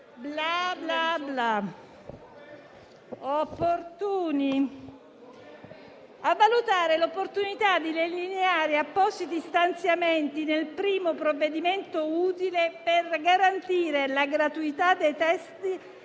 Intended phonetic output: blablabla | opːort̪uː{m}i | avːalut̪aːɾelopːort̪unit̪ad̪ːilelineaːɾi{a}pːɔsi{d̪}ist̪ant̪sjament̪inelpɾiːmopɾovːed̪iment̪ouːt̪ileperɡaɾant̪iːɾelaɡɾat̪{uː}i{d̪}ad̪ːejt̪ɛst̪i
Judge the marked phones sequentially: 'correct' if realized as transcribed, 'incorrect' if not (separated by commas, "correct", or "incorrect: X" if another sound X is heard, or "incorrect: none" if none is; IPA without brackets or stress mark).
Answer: incorrect: n, correct, incorrect: t̪, incorrect: u, incorrect: t̪